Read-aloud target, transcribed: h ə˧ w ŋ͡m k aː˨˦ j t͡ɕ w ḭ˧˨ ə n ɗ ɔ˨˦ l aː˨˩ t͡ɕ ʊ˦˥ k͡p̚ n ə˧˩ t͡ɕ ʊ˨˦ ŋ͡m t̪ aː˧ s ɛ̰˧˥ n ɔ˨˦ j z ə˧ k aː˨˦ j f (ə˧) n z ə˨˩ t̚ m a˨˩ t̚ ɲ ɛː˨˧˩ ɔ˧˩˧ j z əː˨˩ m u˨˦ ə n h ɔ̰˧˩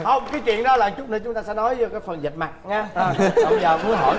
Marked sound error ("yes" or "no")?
yes